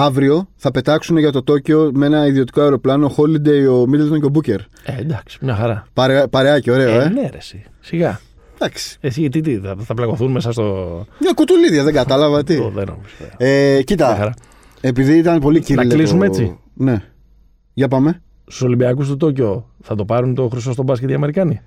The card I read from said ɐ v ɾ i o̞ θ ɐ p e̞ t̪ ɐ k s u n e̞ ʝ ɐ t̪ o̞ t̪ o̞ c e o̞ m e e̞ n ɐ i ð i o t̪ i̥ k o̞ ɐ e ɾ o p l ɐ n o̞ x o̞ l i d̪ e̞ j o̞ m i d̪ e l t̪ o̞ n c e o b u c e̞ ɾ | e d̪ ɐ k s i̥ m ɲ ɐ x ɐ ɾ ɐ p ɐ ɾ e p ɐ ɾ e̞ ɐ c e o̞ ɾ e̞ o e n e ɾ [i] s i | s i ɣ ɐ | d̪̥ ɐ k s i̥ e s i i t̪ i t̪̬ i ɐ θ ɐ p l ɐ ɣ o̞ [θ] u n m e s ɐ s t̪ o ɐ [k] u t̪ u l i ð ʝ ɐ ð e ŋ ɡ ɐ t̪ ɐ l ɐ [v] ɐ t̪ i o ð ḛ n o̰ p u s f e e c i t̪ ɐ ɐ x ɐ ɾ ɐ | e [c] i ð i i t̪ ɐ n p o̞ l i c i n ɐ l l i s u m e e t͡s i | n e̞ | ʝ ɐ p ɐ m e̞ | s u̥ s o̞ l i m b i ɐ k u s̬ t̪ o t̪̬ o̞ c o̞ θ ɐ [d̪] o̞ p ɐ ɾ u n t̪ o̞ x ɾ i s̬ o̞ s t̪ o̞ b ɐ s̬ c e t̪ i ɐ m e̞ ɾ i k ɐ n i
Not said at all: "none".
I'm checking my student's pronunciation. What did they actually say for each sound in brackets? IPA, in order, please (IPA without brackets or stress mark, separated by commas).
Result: e, θ, k, v, p, t̪